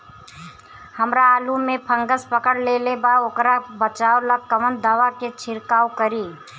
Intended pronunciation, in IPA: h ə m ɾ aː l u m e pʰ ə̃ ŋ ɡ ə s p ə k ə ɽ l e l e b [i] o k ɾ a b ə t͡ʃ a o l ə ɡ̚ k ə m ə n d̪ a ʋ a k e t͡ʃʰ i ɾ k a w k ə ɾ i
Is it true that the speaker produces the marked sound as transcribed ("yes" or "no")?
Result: no